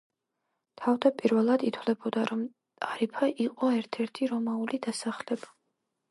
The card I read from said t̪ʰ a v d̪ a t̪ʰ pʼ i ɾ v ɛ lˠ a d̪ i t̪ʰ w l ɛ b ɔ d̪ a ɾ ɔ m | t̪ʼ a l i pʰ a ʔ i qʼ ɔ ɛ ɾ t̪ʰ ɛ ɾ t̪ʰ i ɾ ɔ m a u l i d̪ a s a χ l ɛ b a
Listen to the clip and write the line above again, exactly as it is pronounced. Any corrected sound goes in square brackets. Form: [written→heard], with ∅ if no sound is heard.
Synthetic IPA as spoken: t̪ʰ a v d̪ a [t̪ʰ→∅] pʼ i ɾ v ɛ lˠ a d̪ i t̪ʰ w l ɛ b ɔ d̪ a ɾ ɔ m | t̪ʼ a [l→ɾ] i pʰ a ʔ i qʼ ɔ ɛ ɾ t̪ʰ ɛ ɾ t̪ʰ i ɾ ɔ m a u l i d̪ a s a χ l ɛ b a